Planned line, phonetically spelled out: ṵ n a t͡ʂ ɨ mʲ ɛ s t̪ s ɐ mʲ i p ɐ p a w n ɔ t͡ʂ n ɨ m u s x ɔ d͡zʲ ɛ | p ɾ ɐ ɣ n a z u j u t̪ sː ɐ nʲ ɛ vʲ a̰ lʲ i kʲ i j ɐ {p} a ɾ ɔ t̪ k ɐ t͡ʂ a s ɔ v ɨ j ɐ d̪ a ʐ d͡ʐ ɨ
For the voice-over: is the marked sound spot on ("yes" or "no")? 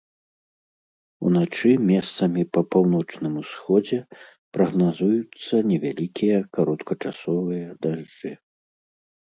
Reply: no